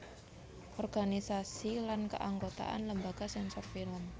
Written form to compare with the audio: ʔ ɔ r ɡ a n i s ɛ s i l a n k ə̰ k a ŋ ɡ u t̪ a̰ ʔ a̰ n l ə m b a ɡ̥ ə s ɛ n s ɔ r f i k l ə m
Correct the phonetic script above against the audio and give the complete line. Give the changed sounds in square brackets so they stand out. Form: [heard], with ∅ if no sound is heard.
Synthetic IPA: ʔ ɔ r ɡ a n i s [a] s i l a n k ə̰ [ʔ] a ŋ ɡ [o] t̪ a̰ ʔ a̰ n l ə m b a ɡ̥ [a] s ɛ n s ɔ r f i [∅] l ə m